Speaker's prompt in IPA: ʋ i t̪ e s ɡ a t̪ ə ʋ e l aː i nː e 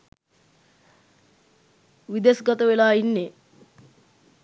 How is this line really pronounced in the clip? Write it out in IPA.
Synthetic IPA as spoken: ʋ i d̪ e s ɡ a t̪ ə ʋ e l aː i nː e